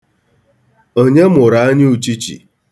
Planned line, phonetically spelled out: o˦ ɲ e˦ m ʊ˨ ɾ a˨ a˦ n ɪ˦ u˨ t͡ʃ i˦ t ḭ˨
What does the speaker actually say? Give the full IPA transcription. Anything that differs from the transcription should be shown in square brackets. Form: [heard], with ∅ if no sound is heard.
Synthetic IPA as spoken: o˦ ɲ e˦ m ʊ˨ ɾ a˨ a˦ [ɲ] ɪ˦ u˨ t͡ʃ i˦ [t͡ʃ] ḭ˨